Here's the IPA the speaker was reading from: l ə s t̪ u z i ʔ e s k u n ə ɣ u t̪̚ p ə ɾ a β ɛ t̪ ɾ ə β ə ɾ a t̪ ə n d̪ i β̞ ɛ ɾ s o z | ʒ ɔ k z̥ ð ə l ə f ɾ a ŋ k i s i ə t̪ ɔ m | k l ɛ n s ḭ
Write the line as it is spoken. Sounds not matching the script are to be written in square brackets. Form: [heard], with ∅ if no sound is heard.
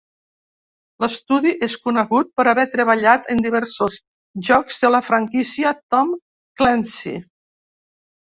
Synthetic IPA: l ə s t̪ u [ð] i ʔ e s k u n ə ɣ u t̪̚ p ə ɾ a β ɛ t̪ ɾ ə β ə [ʎ] a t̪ ə n d̪ i β̞ ɛ ɾ s o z | ʒ ɔ k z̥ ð ə l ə f ɾ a ŋ k i s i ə t̪ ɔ m | k l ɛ n s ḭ

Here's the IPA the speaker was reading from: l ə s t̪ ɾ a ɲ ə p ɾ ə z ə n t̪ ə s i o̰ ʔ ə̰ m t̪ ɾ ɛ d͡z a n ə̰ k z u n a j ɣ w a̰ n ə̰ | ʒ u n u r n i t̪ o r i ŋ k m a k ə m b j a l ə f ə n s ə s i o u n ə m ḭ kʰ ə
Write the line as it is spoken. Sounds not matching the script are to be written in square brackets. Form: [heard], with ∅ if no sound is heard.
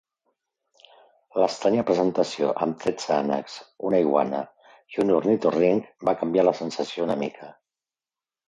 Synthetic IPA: l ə s t̪ ɾ a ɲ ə p ɾ ə z ə n t̪ ə s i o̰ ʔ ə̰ m t̪ ɾ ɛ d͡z a n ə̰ k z u n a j ɣ w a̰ n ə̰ | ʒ u n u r n i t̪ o r i ŋ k [b] a k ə m b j a l ə [s] ə n s ə s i o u n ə m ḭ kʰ ə

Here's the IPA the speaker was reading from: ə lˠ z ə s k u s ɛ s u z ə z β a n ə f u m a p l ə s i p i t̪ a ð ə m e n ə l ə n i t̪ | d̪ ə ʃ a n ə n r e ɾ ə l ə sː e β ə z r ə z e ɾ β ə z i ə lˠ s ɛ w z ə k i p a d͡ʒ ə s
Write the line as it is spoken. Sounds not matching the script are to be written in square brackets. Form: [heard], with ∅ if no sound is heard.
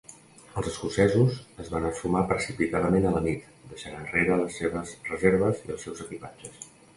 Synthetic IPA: ə lˠ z ə s k u s ɛ [z] u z ə z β a n ə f u m a p [ɾ] ə s i p i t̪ a ð ə m e n ə l ə n i t̪ | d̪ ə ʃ a n ə n r e ɾ ə l ə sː e β ə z r ə z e ɾ β ə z i ə lˠ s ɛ w z ə k i p a d͡ʒ ə s

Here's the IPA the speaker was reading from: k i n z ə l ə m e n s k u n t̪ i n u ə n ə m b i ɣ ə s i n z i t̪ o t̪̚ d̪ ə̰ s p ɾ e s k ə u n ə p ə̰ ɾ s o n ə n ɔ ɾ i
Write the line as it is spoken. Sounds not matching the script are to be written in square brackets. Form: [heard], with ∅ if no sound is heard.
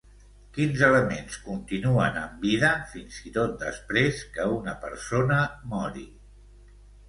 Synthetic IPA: k i n z ə l ə m e n s k u n t̪ i n u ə n ə m b i [ð] ə [f] i n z i t̪ o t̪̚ d̪ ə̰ s p ɾ e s k ə u n ə p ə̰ ɾ s o n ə [m] ɔ ɾ i

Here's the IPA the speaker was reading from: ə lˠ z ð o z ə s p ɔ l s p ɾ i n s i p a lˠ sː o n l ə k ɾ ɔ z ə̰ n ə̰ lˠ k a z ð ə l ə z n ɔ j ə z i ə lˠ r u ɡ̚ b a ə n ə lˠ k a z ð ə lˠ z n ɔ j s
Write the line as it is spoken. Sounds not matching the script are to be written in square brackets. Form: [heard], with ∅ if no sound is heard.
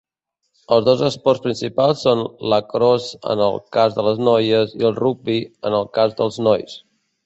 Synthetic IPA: ə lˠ z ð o z ə s p ɔ [r] s p ɾ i n s i p a lˠ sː o n l ə k ɾ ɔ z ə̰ n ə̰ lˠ k a z ð ə l ə z n ɔ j ə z i ə lˠ r u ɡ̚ b [i] ə n ə lˠ k a z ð ə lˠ z n ɔ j s

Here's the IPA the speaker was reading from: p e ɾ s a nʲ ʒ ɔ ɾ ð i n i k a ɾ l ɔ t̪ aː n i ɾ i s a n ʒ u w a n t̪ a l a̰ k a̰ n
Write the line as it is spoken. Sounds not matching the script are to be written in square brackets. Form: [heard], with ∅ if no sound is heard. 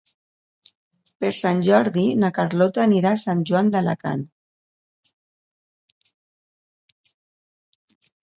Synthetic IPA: p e ɾ s a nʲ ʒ ɔ ɾ ð i n [a] k a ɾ l ɔ t̪ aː n i ɾ [a] s a n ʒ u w a n [d̪] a l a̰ k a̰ n

